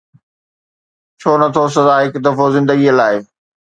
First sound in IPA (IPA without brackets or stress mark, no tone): t͡ɕʰ